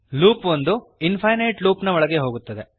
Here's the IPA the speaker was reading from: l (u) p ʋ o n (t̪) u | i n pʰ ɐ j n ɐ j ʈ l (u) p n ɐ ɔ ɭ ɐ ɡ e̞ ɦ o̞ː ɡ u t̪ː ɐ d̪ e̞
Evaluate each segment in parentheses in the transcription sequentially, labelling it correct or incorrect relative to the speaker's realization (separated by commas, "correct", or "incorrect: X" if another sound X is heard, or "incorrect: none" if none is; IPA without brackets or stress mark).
incorrect: uː, incorrect: d̪, incorrect: uː